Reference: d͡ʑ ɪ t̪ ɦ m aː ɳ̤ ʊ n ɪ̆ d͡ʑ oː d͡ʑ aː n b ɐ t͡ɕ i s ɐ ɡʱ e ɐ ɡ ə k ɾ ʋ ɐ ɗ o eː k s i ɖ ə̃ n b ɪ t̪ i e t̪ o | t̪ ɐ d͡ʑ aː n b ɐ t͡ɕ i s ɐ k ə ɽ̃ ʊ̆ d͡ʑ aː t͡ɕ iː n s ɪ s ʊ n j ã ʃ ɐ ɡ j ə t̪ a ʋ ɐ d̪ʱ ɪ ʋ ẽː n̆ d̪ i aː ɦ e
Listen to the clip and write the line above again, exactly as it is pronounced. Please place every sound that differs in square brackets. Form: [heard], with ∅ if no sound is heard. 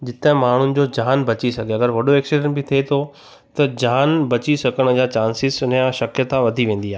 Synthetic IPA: d͡ʑ ɪ t̪ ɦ m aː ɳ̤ ʊ n ɪ̆ d͡ʑ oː d͡ʑ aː n b ɐ t͡ɕ i s ɐ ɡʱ e ɐ ɡ ə [∅] ɾ ʋ ɐ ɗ o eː k s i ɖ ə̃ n b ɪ [t̪ʰ] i e [t̪ʰ] o | t̪ ɐ d͡ʑ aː n b ɐ t͡ɕ i s ɐ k ə ɽ̃ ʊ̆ d͡ʑ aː t͡ɕ [aː] n s ɪ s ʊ n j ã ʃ ɐ [k] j ə t̪ a ʋ ɐ d̪ʱ [i] ʋ ẽː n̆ d̪ i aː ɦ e